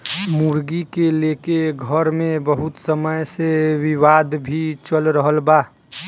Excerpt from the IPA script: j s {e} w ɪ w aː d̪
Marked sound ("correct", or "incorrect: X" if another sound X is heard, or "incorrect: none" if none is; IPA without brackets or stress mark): correct